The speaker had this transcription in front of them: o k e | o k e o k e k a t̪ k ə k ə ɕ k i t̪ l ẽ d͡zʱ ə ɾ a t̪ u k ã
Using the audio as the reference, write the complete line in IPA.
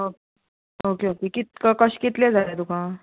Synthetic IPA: o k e | o k e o k e k i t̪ k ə k ə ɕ k i t̪ l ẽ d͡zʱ a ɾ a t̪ u k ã